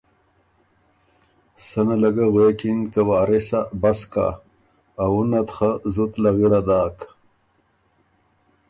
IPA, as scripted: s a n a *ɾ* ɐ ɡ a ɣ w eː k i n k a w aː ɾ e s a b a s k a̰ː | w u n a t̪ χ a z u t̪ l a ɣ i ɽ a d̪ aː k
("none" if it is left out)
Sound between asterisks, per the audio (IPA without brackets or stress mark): l